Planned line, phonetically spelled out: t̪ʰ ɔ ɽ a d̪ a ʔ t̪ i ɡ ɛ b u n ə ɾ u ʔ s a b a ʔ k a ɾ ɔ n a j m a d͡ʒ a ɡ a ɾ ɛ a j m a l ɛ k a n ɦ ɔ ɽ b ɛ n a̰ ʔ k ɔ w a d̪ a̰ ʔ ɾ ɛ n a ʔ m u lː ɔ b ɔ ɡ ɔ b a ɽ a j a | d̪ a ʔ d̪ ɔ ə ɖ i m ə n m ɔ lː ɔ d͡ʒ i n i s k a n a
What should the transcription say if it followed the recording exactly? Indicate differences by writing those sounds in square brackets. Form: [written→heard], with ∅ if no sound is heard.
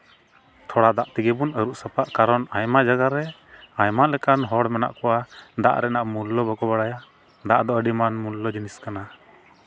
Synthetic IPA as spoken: t̪ʰ ɔ ɽ a d̪ a ʔ t̪ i ɡ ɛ b u n ə ɾ u ʔ s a [b→p] a ʔ k a ɾ ɔ n a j m a d͡ʒ a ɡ a ɾ ɛ a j m a l ɛ k a n ɦ ɔ ɽ [b→m] ɛ n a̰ ʔ k ɔ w a d̪ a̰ ʔ ɾ ɛ n a ʔ m u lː ɔ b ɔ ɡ ɔ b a ɽ a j a | d̪ a ʔ d̪ ɔ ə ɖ i m [ə→a] n m [ɔ→u] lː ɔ d͡ʒ i n i s k a n a